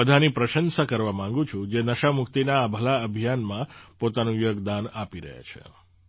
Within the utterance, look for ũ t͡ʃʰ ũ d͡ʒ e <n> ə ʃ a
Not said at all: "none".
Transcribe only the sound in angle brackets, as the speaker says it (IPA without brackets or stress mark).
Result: n